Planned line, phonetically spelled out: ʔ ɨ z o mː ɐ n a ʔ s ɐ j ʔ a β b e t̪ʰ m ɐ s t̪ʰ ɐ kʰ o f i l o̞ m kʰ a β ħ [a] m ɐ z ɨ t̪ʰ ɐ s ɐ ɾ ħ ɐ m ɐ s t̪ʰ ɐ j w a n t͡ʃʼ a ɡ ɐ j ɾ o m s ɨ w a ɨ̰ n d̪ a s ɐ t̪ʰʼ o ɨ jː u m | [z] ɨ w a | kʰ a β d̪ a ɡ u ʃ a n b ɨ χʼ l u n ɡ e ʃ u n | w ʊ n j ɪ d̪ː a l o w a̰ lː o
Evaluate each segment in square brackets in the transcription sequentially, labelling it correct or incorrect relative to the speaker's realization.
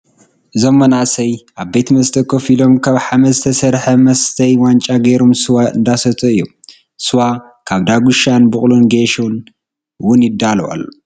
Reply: correct, incorrect

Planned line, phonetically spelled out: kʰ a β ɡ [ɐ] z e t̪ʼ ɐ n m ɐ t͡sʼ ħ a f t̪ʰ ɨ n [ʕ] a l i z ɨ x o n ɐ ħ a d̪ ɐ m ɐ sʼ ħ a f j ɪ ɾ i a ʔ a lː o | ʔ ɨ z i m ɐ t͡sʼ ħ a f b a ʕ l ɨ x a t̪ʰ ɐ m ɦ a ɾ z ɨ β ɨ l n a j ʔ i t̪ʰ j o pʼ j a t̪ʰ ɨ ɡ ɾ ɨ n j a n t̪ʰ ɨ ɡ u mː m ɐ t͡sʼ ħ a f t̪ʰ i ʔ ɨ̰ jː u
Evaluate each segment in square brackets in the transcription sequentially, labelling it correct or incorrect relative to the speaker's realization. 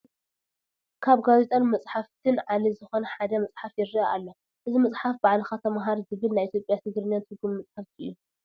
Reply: incorrect, correct

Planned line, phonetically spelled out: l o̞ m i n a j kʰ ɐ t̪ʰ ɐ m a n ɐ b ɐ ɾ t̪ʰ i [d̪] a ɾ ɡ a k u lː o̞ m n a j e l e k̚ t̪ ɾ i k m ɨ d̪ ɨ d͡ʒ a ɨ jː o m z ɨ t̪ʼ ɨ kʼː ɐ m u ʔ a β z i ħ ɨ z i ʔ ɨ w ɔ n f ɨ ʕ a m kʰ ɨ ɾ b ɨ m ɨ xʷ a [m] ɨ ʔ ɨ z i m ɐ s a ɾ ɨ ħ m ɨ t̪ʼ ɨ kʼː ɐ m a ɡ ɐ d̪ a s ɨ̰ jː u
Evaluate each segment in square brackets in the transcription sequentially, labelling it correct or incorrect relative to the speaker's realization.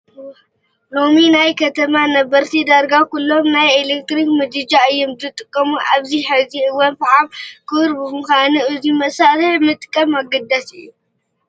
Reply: correct, incorrect

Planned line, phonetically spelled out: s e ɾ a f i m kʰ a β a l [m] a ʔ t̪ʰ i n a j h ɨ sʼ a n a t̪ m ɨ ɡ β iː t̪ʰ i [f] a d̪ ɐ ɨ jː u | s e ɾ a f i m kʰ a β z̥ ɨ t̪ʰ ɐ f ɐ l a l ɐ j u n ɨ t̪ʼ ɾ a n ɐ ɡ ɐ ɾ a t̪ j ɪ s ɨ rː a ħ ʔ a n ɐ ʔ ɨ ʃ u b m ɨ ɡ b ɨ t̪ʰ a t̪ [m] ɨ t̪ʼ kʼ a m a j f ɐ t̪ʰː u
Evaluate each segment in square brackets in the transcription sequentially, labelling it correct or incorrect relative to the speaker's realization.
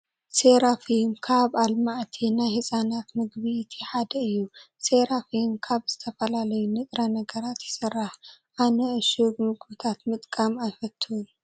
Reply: correct, incorrect, correct

